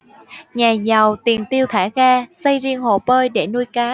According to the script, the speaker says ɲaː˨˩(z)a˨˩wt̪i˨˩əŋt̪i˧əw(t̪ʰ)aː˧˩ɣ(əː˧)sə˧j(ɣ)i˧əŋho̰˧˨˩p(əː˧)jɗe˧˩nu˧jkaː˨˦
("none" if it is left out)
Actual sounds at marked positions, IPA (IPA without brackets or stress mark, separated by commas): z, t̪ʰ, aː˧, z, əː˧